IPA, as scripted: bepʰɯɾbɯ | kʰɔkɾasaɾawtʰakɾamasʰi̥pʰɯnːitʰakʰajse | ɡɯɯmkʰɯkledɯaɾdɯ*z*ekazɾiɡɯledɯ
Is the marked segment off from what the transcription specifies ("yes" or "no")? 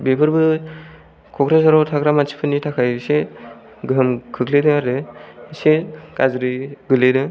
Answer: yes